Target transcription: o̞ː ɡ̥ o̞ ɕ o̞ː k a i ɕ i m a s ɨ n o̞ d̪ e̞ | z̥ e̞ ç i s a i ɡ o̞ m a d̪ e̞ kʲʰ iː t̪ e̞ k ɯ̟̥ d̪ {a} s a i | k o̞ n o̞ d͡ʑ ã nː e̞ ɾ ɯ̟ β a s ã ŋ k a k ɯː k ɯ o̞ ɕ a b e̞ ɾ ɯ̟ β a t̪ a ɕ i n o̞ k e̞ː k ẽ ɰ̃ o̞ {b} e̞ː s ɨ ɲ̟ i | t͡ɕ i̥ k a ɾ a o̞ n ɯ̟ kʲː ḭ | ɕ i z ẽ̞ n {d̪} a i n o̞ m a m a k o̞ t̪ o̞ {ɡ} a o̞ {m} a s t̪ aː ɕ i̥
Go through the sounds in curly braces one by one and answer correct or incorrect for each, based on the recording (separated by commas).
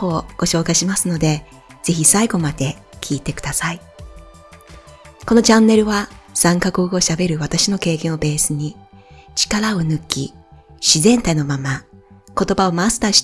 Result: correct, correct, incorrect, incorrect, correct